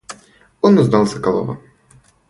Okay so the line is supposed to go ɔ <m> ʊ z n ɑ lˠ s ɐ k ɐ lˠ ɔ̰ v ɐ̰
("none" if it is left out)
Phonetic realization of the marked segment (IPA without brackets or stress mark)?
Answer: n